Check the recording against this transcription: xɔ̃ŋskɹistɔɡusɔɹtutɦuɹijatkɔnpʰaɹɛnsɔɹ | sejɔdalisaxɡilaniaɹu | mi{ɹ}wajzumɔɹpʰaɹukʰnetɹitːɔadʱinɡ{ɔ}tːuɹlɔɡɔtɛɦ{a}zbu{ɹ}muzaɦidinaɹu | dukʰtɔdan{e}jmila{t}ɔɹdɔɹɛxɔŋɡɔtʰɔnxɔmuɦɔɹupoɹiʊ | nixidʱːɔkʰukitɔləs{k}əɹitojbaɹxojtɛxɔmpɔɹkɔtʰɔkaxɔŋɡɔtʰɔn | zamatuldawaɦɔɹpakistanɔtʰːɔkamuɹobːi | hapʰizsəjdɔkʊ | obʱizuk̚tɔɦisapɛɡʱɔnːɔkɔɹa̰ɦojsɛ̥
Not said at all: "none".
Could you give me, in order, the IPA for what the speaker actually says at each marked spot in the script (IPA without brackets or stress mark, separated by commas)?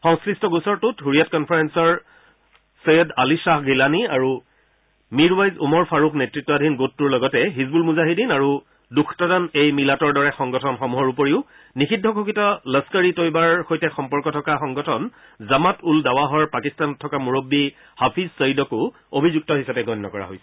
ɹ, o, i, l, e, t, k